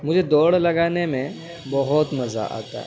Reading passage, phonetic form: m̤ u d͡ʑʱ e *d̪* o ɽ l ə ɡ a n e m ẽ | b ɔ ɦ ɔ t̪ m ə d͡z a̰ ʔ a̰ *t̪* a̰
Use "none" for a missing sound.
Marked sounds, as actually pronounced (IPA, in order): d̪, t̪

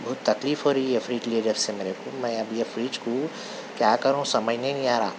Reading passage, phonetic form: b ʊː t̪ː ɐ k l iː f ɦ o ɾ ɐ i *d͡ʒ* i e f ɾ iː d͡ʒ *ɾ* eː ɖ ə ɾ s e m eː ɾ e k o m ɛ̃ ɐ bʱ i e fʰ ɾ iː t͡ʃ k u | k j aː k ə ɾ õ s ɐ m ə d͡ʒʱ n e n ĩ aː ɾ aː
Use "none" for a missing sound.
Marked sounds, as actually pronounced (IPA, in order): none, l

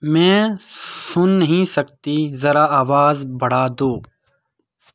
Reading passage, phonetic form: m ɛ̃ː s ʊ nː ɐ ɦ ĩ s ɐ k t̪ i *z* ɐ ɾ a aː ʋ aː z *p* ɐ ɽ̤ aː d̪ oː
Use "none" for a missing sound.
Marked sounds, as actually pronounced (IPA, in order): z, b

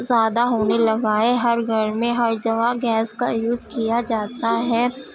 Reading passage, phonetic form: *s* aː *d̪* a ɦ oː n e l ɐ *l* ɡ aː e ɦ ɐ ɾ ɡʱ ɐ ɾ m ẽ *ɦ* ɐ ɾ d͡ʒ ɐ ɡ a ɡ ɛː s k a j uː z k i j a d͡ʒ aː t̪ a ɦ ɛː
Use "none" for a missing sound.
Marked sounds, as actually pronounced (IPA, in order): z, d̪, none, ɦ

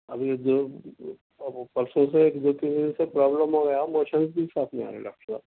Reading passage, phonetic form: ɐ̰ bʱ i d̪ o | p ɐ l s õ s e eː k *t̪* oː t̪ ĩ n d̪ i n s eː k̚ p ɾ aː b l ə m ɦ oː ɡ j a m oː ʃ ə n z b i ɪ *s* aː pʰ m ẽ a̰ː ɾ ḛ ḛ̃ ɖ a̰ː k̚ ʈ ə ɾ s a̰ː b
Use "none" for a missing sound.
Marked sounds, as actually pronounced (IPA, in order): d̪, s

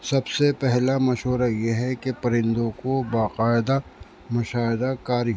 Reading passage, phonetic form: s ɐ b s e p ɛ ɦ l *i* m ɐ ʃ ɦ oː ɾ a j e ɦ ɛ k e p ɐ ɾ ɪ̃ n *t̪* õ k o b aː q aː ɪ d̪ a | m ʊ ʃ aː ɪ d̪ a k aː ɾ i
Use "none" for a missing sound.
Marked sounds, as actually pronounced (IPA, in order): a, d̪

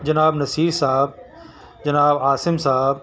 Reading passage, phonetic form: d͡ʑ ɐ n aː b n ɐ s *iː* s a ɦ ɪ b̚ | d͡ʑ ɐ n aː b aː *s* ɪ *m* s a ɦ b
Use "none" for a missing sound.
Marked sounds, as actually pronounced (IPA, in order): iː, s, m

